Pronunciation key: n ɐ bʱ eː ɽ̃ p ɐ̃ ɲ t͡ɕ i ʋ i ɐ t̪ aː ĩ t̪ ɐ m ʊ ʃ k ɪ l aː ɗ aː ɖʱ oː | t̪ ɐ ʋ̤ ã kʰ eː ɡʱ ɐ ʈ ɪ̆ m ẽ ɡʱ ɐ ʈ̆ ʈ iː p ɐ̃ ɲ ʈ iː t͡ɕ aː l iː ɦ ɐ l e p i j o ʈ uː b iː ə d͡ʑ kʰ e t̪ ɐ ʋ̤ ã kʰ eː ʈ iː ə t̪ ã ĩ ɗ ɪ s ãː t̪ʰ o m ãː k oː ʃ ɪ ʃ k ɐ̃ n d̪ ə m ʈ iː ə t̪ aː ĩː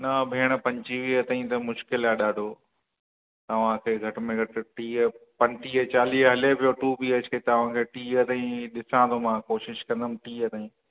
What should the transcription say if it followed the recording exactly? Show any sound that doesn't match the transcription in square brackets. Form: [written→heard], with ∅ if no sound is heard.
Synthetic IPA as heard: n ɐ bʱ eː ɽ̃ p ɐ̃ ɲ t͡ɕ i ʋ i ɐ t̪ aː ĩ t̪ ɐ m ʊ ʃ k ɪ l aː ɗ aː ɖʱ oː | t̪ ɐ ʋ̤ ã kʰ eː ɡʱ ɐ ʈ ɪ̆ m ẽ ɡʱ ɐ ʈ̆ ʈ iː p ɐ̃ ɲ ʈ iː t͡ɕ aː l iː ɦ ɐ l e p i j o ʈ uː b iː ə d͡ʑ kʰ e t̪ ɐ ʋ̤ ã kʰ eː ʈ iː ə t̪ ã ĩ ɗ ɪ s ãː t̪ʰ o m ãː k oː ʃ ɪ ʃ k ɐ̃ n d̪ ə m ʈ iː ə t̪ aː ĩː